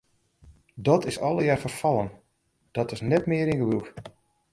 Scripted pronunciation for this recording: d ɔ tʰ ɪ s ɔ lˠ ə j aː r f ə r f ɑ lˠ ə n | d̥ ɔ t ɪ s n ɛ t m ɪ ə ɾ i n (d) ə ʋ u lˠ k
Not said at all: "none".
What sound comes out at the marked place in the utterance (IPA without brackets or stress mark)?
ɡ